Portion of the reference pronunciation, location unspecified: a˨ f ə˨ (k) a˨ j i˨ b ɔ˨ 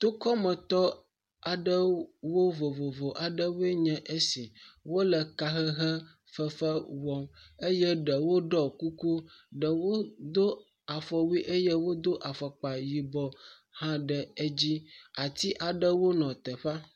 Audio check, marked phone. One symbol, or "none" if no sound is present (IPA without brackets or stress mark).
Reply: k͡p